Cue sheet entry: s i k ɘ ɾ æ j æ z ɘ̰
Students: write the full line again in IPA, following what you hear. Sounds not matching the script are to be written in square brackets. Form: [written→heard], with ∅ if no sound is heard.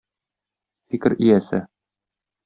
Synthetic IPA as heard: [s→f] i k ɘ ɾ [æ→i] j æ [z→s] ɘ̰